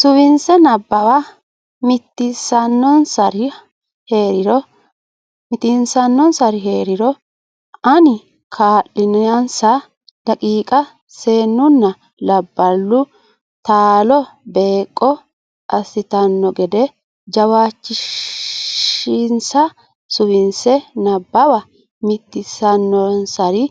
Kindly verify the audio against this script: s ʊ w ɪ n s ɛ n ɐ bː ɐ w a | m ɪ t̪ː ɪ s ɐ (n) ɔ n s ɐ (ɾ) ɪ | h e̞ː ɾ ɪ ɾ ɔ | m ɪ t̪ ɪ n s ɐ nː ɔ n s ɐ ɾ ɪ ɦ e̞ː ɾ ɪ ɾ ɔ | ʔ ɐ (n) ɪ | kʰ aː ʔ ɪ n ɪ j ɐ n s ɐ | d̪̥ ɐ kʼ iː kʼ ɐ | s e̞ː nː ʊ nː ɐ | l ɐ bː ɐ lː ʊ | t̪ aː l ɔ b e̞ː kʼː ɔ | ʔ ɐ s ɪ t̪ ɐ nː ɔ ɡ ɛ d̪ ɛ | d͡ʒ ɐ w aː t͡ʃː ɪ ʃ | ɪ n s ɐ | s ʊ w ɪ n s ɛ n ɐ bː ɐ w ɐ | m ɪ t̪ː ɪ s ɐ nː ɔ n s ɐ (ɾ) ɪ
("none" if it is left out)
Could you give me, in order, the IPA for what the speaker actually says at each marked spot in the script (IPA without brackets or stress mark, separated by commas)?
nː, ɾ, n, ɾ